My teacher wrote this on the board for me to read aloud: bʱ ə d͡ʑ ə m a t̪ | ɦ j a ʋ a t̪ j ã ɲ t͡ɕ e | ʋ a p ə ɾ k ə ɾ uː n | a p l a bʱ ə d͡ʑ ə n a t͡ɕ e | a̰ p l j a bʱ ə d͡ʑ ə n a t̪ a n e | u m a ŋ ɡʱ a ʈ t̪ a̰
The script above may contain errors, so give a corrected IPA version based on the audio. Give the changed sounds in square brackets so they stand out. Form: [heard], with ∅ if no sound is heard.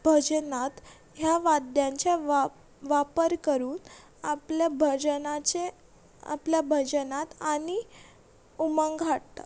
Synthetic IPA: bʱ ə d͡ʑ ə [n] a t̪ | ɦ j a ʋ a [d̪] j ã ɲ t͡ɕ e | ʋ a p ə ɾ k ə ɾ uː n | a p l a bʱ ə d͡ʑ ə n a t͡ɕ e | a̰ p l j a bʱ ə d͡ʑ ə n a t̪ a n [i] | u m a ŋ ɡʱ a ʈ t̪ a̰